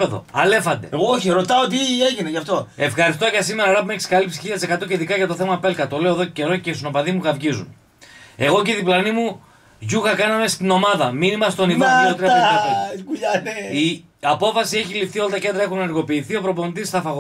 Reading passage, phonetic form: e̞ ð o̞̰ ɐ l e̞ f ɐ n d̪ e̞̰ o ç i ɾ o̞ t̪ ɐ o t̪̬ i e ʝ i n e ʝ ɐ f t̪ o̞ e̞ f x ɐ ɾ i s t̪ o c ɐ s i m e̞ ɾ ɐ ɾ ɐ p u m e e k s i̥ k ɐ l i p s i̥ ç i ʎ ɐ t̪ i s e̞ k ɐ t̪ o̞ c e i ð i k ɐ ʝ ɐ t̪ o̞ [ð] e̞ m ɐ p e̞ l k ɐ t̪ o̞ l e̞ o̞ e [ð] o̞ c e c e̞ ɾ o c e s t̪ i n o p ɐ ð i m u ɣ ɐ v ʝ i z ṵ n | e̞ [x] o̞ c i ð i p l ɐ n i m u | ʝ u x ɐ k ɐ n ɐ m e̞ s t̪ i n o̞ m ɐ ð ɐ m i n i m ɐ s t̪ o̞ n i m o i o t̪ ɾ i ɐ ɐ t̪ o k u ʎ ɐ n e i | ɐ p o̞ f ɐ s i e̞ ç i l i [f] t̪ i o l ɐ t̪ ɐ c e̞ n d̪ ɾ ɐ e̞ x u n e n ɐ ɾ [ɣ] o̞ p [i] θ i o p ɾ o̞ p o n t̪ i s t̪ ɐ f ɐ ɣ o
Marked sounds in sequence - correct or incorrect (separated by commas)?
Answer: incorrect, correct, incorrect, correct, correct, incorrect